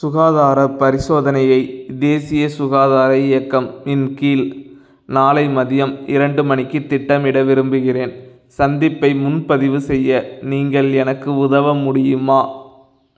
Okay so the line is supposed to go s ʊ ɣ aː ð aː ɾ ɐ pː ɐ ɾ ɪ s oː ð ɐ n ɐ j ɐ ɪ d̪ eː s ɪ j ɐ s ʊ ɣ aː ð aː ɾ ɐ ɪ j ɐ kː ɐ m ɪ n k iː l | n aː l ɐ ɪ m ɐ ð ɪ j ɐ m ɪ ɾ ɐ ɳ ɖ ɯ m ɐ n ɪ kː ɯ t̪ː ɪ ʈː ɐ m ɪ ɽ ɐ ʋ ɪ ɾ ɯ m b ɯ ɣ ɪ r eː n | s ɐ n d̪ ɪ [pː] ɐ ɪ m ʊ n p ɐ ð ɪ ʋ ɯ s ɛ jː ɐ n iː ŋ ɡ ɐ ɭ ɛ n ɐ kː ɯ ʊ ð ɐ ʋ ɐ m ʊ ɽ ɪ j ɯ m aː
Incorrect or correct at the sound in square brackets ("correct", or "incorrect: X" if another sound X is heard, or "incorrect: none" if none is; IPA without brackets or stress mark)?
correct